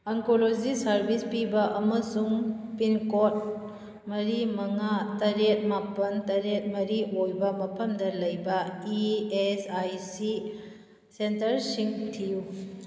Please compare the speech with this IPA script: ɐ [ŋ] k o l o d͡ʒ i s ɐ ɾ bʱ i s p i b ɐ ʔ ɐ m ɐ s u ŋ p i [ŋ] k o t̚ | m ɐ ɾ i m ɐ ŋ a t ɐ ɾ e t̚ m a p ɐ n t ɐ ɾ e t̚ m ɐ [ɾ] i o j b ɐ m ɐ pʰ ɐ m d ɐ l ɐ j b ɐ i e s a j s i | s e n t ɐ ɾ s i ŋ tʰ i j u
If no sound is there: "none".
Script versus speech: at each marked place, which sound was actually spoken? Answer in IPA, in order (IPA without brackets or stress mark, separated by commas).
ŋ, n, ɾ